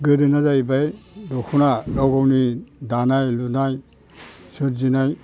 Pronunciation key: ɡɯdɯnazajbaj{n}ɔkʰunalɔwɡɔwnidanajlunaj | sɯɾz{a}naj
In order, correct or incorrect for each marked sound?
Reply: incorrect: d, incorrect: i

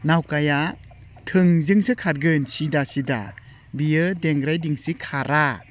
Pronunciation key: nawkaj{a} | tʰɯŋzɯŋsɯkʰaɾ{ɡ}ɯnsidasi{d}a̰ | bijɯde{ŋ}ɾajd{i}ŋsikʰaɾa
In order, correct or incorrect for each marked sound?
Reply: correct, correct, correct, correct, correct

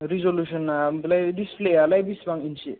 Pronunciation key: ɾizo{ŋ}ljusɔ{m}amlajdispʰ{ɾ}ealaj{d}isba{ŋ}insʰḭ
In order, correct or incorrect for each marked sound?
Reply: incorrect: none, incorrect: n, incorrect: l, incorrect: b, correct

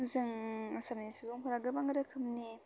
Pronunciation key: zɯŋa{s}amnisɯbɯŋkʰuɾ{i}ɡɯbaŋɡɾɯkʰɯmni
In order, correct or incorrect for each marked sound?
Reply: correct, incorrect: a

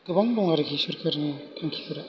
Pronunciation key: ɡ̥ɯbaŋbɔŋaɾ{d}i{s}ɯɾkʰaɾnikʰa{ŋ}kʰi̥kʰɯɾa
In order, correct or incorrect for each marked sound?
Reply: incorrect: ɡ, correct, correct

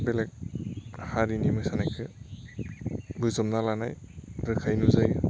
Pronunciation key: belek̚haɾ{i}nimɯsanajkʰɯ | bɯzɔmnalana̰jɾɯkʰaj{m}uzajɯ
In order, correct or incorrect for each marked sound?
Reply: correct, incorrect: n

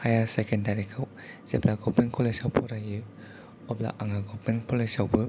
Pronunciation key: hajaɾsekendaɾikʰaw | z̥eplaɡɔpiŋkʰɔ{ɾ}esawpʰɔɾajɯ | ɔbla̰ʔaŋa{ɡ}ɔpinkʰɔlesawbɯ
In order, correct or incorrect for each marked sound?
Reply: incorrect: l, correct

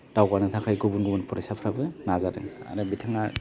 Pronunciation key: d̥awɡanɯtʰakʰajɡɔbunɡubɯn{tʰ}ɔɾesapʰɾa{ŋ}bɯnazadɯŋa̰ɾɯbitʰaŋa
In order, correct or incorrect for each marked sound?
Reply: incorrect: pʰ, incorrect: none

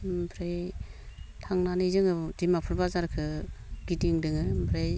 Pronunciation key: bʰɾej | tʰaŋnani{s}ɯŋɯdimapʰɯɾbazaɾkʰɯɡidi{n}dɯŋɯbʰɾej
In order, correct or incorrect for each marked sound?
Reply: incorrect: z, incorrect: ŋ

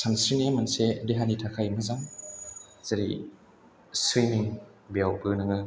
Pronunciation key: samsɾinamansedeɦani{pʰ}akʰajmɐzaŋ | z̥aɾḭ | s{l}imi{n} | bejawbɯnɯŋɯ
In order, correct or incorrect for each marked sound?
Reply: incorrect: tʰ, incorrect: ɾ, incorrect: ŋ

